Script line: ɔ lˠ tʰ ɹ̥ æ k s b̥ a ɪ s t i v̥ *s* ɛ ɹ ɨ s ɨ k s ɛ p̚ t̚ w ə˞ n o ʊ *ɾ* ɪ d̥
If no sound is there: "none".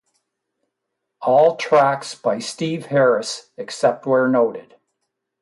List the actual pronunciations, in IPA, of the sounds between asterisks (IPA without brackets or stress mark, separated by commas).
h, ɾ